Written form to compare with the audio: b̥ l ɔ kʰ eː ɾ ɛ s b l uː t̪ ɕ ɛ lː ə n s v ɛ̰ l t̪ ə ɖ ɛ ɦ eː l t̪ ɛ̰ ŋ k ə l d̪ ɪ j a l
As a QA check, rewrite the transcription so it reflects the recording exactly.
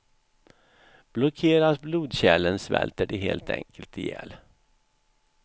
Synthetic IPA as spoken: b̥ l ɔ kʰ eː ɾ a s b l uː d̪ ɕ ɛ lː ə n s v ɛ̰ l t̪ ə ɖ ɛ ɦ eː l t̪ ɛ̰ ŋ k ə l t̪ ɪ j ɛ l

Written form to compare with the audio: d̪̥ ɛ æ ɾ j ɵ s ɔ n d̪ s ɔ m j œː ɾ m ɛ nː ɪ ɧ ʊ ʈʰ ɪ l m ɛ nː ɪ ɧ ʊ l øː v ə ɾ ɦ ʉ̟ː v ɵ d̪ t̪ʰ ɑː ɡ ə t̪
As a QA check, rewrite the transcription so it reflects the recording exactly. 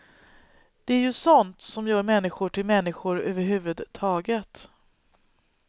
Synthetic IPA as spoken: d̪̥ ɛ æ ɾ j ɵ s ɔ n t̪ s ɔ m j œː ɾ m ɛ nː ɪ ɧ ʊ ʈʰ ɪ l m ɛ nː ɪ ɧ ʊ ɾ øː v ə ɾ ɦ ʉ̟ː v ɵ d̪ t̪ʰ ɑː ɡ ə t̪

